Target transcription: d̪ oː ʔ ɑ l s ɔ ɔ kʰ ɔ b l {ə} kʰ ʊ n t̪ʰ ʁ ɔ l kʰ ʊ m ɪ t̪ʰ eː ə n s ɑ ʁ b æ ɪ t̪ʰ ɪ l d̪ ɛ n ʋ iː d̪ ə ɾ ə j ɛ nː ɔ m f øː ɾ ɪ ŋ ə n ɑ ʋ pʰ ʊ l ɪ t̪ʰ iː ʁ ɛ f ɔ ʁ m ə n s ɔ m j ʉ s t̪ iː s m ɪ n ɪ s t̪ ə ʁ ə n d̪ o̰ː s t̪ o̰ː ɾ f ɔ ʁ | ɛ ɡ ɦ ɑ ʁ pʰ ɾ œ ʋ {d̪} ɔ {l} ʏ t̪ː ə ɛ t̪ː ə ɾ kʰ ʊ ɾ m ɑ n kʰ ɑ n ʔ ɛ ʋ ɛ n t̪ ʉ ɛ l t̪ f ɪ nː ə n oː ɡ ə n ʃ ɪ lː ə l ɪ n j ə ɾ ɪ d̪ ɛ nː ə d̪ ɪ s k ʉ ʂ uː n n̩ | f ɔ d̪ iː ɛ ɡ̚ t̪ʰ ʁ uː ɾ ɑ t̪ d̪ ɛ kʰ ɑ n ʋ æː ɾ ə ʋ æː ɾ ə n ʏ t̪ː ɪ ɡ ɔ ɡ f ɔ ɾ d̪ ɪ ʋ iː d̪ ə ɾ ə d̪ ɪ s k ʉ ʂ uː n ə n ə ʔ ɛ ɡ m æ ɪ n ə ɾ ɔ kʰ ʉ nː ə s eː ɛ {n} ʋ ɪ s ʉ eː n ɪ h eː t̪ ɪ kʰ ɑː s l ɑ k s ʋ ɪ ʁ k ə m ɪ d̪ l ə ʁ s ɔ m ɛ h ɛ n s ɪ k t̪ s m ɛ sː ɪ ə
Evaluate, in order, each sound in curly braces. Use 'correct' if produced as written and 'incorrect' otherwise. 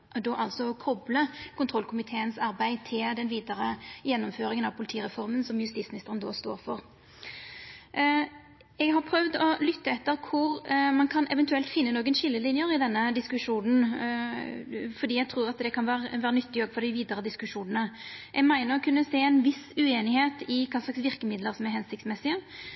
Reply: correct, correct, correct, correct

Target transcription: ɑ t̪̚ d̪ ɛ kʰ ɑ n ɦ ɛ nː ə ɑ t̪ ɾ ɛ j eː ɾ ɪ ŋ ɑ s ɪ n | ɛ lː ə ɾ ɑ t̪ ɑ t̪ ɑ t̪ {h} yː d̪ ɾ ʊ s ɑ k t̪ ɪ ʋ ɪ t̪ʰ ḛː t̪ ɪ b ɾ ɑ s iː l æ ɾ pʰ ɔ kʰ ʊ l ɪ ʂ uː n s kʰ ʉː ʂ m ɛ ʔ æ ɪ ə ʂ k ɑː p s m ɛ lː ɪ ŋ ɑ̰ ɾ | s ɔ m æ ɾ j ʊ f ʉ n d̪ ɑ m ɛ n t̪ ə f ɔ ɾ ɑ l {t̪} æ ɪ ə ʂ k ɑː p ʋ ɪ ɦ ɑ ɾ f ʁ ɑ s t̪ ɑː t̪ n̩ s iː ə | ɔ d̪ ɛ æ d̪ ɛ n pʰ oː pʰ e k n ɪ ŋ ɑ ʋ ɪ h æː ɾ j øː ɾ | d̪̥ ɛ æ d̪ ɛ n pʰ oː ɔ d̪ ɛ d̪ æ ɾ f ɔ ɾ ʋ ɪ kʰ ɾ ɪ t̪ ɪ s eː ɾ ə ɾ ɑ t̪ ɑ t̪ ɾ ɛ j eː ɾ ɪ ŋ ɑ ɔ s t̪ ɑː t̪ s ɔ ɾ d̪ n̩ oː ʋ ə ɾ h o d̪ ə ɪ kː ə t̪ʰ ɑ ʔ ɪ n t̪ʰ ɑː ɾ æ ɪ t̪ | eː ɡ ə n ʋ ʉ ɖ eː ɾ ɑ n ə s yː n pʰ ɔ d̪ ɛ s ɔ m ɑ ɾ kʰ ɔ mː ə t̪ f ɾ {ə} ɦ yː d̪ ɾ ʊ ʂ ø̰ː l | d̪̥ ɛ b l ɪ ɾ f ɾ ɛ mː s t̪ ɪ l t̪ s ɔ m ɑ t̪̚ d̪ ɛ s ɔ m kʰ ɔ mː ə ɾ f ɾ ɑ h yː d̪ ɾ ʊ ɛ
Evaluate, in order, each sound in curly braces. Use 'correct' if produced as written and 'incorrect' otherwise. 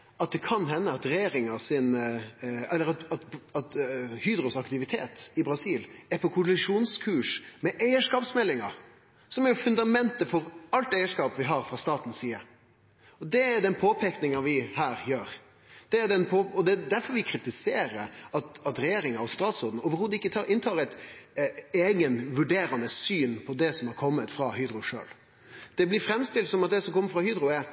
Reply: correct, correct, incorrect

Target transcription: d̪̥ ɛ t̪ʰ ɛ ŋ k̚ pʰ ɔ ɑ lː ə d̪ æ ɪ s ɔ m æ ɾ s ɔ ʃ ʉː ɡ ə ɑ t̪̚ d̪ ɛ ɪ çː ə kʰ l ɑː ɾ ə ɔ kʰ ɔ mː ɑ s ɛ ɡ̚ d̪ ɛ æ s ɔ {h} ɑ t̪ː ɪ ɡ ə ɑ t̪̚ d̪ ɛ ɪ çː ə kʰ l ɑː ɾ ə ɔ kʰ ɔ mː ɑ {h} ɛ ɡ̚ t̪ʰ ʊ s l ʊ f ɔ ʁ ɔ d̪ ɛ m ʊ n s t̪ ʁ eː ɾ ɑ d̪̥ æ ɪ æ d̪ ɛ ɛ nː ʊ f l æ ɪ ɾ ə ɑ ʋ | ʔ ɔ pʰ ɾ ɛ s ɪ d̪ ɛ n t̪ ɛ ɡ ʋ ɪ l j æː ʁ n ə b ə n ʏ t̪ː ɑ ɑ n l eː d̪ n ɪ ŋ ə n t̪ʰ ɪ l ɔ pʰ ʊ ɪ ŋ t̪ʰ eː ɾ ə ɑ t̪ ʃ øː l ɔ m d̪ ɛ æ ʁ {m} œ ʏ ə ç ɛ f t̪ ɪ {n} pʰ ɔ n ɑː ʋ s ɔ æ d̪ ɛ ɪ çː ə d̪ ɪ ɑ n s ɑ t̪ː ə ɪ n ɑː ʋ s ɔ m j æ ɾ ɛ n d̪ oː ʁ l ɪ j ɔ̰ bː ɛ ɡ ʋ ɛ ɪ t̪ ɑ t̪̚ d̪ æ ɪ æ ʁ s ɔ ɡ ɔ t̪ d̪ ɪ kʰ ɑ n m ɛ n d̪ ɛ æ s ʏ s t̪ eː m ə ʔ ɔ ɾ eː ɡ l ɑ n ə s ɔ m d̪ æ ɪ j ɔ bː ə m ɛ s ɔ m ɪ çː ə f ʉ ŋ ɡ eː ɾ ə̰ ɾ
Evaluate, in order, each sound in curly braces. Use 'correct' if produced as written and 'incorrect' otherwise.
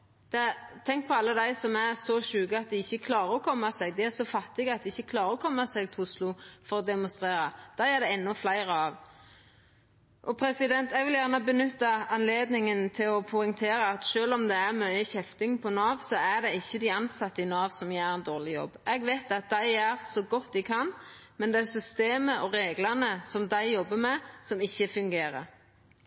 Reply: incorrect, incorrect, correct, incorrect

